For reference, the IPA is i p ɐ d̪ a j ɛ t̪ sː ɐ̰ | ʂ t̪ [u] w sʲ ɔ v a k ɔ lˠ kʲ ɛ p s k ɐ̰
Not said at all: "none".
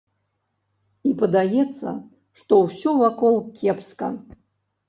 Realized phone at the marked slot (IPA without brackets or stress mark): ɔ